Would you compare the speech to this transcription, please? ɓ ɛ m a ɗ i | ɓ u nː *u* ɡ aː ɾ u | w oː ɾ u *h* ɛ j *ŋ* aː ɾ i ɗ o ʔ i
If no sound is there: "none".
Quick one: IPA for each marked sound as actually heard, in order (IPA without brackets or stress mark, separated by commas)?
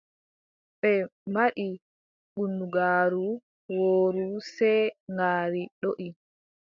u, s, ŋ